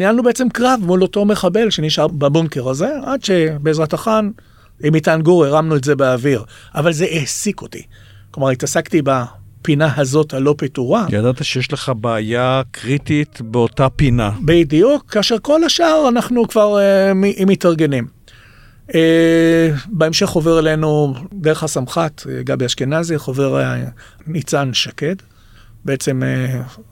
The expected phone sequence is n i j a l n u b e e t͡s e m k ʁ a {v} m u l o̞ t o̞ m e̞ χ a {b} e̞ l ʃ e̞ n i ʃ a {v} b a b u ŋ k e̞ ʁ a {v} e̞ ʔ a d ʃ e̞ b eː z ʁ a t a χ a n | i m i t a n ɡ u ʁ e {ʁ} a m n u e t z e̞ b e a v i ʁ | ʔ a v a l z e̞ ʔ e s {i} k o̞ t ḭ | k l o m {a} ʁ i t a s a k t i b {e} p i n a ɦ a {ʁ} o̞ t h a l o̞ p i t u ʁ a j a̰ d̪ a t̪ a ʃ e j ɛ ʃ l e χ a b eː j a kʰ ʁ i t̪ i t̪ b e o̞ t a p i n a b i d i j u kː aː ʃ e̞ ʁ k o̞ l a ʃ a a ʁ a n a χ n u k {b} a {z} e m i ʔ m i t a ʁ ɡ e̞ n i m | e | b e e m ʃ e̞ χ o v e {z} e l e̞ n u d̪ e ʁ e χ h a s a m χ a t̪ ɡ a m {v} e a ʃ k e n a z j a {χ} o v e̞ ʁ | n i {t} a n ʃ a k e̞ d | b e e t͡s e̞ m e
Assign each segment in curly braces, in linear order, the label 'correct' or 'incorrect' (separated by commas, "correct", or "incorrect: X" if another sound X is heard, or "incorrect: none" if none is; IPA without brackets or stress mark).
correct, correct, incorrect: ʁ, incorrect: z, correct, correct, correct, incorrect: a, incorrect: z, incorrect: v, incorrect: ʁ, incorrect: ʁ, incorrect: b, correct, incorrect: t͡s